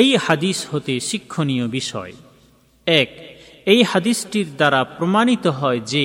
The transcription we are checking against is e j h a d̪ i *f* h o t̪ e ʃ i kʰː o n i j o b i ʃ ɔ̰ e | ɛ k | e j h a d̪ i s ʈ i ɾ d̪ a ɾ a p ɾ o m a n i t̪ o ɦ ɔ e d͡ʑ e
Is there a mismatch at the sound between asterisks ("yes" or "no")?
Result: yes